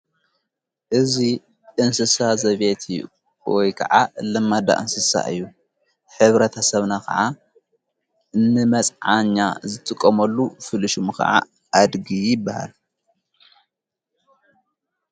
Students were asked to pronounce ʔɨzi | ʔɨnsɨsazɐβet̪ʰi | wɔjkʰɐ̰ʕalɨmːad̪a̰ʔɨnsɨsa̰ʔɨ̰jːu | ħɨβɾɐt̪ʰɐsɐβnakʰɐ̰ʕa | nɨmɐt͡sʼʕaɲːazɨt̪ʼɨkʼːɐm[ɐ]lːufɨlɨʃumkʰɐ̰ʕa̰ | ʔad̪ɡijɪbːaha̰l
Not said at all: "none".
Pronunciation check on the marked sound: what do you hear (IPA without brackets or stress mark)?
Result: ɐ